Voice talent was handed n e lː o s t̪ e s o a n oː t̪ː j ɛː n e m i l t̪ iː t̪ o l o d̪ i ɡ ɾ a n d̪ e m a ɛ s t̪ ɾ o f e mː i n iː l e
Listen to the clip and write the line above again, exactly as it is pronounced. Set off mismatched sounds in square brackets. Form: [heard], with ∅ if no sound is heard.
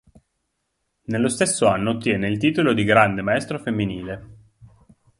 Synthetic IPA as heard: n e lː o s t̪ e [sː] o a [nː] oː t̪ː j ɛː n e [∅] i l t̪ iː t̪ o l o d̪ i ɡ ɾ a n d̪ e m a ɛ s t̪ ɾ o f e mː i n iː l e